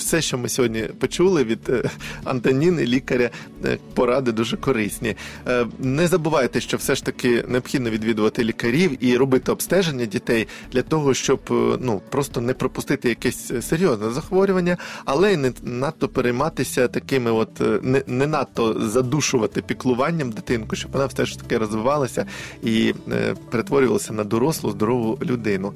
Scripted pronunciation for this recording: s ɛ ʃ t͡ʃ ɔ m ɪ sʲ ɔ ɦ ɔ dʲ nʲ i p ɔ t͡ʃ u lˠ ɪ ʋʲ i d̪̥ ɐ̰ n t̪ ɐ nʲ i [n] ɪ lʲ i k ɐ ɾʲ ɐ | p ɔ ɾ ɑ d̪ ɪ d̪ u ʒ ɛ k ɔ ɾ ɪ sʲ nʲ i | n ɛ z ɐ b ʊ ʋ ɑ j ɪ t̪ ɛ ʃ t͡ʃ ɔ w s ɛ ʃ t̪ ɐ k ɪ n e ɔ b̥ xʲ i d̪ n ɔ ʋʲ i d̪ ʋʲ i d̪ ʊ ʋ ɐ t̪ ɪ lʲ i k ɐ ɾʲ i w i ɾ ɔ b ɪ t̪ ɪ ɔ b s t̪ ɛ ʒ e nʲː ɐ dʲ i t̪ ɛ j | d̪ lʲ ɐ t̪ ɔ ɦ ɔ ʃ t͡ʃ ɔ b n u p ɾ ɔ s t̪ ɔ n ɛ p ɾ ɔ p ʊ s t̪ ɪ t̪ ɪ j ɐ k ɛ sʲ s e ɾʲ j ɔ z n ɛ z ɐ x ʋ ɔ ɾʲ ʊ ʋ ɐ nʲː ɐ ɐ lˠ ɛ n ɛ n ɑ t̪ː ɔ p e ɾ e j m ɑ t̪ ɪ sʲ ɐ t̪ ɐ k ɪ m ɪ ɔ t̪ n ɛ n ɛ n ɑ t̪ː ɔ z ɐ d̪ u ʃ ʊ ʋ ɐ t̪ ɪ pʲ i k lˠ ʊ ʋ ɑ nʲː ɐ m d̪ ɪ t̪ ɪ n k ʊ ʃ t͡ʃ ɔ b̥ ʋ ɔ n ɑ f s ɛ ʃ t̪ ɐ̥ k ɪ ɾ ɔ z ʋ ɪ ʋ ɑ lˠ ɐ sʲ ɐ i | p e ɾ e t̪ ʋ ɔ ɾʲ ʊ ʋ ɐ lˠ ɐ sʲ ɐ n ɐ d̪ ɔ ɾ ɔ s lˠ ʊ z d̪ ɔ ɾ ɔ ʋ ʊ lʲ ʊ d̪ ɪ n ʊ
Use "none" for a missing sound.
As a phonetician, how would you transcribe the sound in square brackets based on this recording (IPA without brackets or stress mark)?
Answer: n